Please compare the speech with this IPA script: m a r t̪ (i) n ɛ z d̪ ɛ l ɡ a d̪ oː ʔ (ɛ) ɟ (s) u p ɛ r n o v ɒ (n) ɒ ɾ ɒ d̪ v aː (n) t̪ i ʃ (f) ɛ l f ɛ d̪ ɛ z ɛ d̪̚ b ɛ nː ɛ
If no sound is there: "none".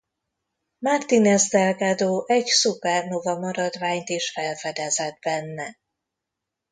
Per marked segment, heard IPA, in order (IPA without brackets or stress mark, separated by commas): i, ɛ, s, m, ɲ, f